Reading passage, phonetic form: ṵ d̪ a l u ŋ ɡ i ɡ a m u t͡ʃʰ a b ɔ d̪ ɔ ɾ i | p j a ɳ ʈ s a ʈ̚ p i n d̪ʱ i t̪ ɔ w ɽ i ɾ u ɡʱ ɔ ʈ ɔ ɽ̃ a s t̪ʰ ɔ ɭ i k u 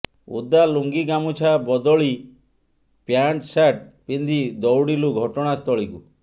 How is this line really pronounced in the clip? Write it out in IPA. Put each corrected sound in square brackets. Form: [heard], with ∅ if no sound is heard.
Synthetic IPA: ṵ d̪ a l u ŋ ɡ i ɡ a m u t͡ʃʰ a b ɔ d̪ ɔ [ɭ] i | p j a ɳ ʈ s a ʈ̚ p i n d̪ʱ i [d̪] ɔ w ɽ i [l] u ɡʱ ɔ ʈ ɔ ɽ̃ a s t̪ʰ ɔ ɭ i k u

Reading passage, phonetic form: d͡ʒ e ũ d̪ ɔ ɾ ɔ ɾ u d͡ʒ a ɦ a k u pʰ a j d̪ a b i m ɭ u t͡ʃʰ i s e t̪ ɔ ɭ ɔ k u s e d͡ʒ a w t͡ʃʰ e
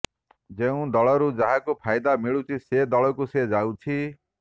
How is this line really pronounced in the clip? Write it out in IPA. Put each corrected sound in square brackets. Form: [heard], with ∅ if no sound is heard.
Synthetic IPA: d͡ʒ e ũ d̪ ɔ [ɭ] ɔ ɾ u d͡ʒ a ɦ a k u pʰ a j d̪ a [m] i [∅] ɭ u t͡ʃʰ i s e [d̪] ɔ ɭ ɔ k u s e d͡ʒ a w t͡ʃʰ [i]

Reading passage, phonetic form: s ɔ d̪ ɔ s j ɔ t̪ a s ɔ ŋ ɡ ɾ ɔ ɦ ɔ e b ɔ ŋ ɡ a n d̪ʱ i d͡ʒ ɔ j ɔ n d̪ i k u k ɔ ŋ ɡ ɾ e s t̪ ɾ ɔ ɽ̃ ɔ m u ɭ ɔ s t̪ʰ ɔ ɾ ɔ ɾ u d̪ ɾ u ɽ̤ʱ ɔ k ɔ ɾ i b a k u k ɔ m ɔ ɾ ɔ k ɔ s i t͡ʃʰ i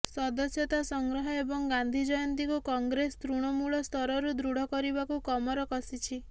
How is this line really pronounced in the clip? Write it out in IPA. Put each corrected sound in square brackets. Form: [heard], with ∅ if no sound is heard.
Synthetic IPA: s ɔ d̪ ɔ s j ɔ t̪ a s ɔ ŋ ɡ ɾ ɔ ɦ ɔ e b ɔ ŋ ɡ a n d̪ʱ i d͡ʒ ɔ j ɔ n [t̪] i k u k ɔ ŋ ɡ ɾ e s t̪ ɾ [u] ɽ̃ ɔ m u ɭ ɔ s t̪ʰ ɔ ɾ ɔ ɾ u d̪ ɾ u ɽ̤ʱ ɔ k ɔ ɾ i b a k u k ɔ m ɔ ɾ ɔ k ɔ s i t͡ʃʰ i

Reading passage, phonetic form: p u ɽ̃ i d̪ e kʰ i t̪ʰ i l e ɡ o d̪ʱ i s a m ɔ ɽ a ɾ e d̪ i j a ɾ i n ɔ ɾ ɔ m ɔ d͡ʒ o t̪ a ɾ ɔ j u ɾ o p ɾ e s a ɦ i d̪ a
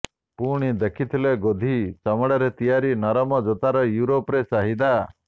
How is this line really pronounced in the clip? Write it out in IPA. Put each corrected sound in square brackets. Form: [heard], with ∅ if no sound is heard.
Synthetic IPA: p u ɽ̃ i d̪ e kʰ i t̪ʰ i l e ɡ o d̪ʱ i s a m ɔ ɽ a ɾ e [t̪] i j a ɾ i n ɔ ɾ ɔ m ɔ d͡ʒ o t̪ a ɾ ɔ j u ɾ o p ɾ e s a ɦ i d̪ a

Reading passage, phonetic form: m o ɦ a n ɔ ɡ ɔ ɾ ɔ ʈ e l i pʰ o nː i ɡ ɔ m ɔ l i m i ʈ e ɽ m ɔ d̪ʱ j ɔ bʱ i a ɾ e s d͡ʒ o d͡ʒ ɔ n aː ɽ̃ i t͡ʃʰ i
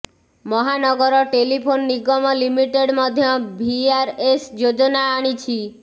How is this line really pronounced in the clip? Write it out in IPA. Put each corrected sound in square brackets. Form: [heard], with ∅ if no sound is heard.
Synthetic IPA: m [ɔ] ɦ a n ɔ ɡ ɔ ɾ ɔ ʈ e l i pʰ o nː i ɡ ɔ m ɔ l i m i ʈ e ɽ m ɔ d̪ʱ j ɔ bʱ i a ɾ e s d͡ʒ o d͡ʒ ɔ n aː ɽ̃ i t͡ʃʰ i

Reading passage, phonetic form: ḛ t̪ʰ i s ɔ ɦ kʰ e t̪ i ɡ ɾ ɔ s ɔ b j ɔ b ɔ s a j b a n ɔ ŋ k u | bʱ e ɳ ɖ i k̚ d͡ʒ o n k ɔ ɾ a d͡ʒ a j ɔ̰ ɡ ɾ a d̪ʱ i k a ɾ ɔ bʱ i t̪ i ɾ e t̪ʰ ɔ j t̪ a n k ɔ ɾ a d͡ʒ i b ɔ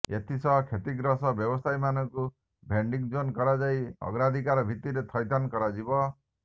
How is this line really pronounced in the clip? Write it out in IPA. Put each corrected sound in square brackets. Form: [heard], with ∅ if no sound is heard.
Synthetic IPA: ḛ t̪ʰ i s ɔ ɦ kʰ e t̪ i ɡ ɾ ɔ s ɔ b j ɔ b ɔ s a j [m] a n ɔ ŋ k u | bʱ e ɳ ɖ i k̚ d͡ʒ o n k ɔ ɾ a d͡ʒ a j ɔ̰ ɡ ɾ a d̪ʱ i k a ɾ ɔ bʱ i t̪ i ɾ e t̪ʰ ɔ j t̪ a n k ɔ ɾ a d͡ʒ i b ɔ

